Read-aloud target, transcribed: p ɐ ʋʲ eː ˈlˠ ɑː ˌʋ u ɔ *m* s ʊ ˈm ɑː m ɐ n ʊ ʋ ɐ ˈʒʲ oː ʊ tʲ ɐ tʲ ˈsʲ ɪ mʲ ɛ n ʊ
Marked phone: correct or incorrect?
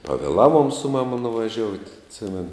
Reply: correct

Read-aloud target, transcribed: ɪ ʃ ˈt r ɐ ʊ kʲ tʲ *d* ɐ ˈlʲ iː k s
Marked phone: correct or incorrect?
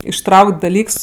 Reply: correct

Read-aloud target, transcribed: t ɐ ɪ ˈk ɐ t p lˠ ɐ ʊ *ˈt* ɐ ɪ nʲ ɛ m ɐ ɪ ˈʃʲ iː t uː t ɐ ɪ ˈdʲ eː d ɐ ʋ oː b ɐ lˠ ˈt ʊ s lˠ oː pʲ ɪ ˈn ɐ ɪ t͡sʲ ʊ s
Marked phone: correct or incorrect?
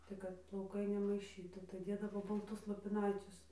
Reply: incorrect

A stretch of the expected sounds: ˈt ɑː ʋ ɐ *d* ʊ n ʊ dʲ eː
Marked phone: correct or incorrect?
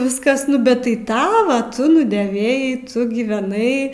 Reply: incorrect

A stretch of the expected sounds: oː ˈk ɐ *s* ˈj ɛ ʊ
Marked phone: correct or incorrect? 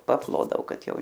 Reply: incorrect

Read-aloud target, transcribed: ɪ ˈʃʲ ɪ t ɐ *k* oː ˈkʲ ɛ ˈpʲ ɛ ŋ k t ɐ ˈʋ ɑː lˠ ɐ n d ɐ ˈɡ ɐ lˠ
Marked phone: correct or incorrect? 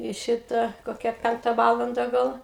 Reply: correct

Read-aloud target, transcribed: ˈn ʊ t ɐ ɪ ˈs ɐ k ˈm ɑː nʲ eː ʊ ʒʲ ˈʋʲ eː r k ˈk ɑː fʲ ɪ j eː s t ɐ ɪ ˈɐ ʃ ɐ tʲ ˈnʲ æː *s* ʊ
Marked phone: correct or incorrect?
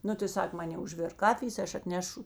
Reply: incorrect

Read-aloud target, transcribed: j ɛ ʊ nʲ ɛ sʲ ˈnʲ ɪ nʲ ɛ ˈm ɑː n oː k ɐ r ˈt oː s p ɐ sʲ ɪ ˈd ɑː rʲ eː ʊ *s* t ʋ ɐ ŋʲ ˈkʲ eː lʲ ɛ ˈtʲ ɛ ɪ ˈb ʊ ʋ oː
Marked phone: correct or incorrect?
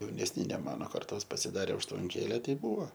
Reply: incorrect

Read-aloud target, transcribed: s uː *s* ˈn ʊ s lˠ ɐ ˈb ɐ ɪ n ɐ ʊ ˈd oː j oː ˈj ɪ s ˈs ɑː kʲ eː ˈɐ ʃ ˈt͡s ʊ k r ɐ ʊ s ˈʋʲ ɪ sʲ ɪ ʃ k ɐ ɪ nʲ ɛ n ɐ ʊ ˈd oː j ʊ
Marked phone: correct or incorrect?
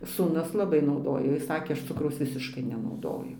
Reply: incorrect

